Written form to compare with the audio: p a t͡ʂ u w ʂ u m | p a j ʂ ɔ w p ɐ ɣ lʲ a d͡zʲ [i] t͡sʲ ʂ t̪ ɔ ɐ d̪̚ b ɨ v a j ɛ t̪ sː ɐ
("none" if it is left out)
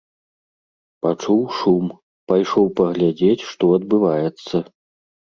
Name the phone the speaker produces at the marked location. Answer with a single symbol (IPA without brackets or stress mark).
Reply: e